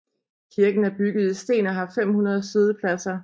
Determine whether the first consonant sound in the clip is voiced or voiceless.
voiceless